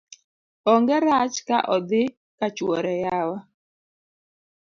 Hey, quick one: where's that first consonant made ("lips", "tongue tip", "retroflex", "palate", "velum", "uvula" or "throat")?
velum